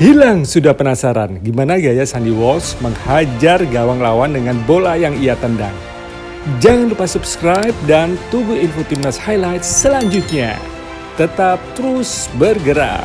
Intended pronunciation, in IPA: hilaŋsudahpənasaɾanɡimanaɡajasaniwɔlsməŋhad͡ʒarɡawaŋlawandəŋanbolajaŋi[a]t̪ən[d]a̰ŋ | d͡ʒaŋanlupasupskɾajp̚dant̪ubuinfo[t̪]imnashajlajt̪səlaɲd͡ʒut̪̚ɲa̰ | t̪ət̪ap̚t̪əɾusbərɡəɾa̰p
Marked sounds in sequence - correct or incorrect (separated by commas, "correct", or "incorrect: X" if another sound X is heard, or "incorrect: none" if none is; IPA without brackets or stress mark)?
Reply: correct, correct, correct